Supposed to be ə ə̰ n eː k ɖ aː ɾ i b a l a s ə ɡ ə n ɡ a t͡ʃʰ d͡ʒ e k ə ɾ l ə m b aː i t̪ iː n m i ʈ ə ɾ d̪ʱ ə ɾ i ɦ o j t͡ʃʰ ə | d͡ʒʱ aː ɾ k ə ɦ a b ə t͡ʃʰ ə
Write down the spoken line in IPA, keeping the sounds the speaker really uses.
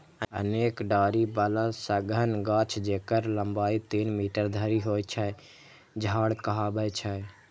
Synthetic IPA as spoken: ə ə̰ n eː k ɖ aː ɾ i b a l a s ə ɡ ə n ɡ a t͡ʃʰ d͡ʒ e k ə ɾ l ə m b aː i t̪ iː n m i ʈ ə ɾ d̪ʱ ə ɾ i ɦ o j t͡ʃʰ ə | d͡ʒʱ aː ɽ k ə ɦ a b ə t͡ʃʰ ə